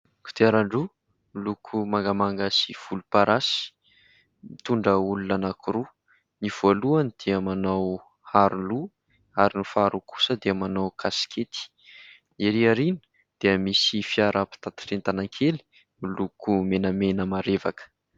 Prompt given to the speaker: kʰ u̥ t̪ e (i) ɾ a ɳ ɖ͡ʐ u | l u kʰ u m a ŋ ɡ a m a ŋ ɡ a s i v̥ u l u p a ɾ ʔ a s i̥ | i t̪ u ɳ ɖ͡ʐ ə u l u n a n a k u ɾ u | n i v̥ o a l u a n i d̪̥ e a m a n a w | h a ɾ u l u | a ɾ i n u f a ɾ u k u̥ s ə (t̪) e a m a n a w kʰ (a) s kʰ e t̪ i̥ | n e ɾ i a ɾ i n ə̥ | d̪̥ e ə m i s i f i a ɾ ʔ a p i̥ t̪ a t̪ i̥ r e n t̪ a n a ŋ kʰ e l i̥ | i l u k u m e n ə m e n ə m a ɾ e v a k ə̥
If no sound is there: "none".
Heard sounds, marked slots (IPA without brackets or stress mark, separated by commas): a, d̪, a